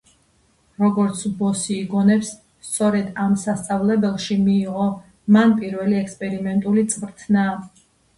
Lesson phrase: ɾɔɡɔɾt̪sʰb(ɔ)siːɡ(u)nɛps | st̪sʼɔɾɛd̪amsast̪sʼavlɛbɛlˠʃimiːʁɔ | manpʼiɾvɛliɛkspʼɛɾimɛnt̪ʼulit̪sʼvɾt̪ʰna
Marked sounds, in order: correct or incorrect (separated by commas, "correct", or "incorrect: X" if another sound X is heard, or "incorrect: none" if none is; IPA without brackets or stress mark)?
correct, incorrect: ɔ